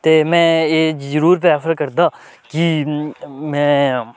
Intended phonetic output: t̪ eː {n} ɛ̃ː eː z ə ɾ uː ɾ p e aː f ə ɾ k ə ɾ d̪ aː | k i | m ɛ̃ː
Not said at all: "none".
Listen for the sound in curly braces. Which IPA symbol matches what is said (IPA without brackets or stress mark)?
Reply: m